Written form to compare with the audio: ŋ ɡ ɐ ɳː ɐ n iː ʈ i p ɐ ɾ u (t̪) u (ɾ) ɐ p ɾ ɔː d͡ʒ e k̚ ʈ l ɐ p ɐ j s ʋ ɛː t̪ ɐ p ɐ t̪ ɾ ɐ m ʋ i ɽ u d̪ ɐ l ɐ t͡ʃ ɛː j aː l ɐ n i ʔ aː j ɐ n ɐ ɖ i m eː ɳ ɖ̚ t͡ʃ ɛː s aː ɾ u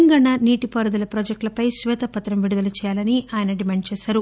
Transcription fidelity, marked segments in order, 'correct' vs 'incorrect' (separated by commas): incorrect, incorrect